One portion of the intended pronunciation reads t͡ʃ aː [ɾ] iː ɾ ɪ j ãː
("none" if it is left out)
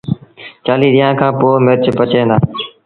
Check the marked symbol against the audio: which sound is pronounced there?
l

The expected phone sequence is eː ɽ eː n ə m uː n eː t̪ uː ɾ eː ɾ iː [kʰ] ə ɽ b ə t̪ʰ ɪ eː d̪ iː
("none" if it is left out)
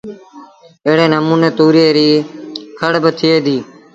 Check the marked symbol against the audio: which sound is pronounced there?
kʰ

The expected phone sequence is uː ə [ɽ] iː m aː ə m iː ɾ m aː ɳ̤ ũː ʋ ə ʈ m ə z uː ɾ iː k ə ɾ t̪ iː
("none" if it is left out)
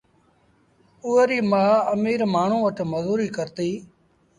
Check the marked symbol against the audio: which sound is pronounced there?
ɾ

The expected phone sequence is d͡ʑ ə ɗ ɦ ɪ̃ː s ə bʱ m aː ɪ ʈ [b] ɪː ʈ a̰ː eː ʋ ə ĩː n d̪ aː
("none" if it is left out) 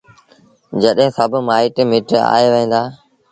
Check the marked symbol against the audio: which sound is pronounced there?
m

